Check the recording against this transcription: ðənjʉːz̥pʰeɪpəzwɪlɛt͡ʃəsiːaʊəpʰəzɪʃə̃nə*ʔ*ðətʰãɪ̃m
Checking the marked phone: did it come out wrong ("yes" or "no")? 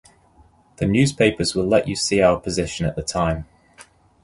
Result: no